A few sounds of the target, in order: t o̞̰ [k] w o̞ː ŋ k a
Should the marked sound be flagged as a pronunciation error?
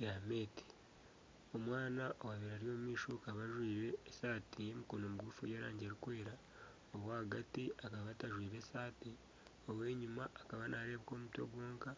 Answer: yes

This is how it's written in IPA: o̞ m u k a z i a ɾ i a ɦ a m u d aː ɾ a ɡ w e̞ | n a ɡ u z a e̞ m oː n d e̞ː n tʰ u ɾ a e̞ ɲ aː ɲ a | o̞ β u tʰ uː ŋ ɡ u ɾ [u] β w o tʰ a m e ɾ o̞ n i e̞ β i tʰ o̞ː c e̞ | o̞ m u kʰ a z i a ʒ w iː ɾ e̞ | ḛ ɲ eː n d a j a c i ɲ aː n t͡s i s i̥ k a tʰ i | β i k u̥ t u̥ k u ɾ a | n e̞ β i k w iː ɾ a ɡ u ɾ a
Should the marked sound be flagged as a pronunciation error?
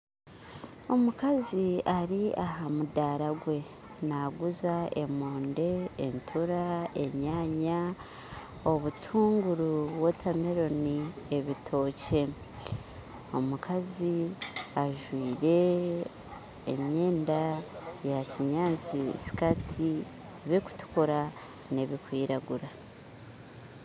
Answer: no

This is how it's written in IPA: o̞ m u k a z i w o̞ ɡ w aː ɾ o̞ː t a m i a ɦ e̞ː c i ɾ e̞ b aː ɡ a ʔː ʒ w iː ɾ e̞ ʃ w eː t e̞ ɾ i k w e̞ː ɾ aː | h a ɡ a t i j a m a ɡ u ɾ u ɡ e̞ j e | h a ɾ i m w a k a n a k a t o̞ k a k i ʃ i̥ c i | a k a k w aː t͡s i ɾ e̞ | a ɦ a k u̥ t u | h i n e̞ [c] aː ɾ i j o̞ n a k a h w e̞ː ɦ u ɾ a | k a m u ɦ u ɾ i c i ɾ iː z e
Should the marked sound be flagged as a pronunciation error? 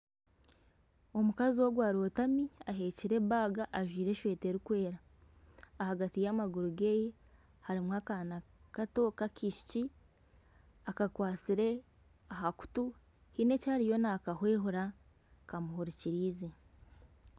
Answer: no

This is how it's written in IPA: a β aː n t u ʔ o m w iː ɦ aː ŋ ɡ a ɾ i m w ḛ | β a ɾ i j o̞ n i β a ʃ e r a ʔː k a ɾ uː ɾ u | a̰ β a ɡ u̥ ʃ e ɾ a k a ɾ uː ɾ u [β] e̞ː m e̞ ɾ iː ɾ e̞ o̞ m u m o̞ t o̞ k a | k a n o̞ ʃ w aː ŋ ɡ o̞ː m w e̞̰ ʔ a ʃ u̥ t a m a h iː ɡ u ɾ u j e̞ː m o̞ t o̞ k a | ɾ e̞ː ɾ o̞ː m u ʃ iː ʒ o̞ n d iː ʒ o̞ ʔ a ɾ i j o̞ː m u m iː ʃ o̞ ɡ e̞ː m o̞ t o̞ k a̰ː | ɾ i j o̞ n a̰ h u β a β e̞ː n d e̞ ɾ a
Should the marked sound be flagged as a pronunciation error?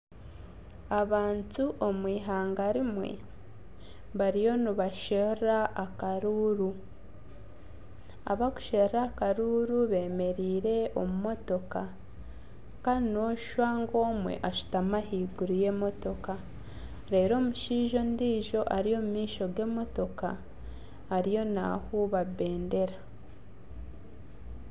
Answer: no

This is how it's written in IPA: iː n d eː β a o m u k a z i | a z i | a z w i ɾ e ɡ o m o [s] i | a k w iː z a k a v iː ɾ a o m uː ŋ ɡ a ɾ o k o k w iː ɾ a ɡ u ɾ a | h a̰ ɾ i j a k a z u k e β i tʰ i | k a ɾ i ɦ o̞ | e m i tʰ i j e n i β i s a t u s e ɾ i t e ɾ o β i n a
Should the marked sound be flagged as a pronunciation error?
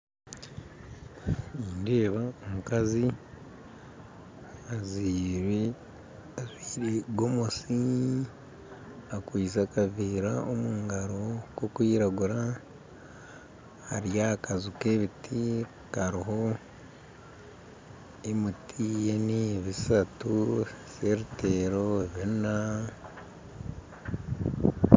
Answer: no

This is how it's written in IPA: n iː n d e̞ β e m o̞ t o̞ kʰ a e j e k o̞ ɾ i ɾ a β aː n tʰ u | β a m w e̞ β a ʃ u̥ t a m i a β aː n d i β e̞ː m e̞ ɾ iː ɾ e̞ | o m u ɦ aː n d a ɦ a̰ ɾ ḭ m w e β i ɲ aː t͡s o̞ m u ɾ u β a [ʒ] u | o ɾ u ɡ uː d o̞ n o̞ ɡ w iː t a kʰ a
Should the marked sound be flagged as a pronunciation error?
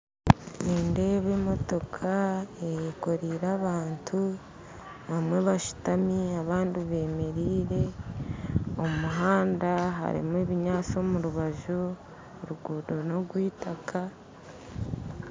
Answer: no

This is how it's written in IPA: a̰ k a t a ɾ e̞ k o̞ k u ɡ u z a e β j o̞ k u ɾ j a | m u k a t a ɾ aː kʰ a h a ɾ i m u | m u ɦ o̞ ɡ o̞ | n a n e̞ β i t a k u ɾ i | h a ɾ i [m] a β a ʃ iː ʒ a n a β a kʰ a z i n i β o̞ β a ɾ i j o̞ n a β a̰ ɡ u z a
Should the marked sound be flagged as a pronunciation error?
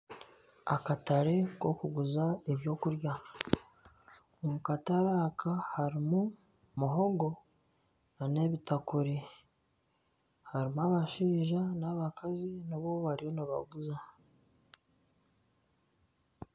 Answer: no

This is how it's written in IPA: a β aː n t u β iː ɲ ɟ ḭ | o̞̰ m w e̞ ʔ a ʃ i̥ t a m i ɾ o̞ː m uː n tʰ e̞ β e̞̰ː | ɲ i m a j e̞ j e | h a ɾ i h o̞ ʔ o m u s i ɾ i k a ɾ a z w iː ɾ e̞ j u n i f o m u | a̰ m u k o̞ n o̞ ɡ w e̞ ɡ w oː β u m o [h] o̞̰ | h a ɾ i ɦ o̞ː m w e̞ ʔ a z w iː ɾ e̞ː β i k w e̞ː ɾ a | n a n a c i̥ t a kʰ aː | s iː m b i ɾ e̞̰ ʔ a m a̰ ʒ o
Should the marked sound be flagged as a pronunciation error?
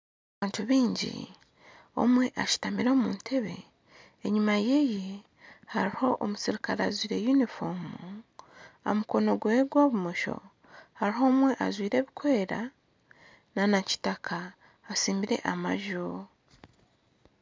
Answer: yes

